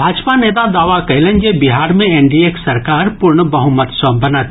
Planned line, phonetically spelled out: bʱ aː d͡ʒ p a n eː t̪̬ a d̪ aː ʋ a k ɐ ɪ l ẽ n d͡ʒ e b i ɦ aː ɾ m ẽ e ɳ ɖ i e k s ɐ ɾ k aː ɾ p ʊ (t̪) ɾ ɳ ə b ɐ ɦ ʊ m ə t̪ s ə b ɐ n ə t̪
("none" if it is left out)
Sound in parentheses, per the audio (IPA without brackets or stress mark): none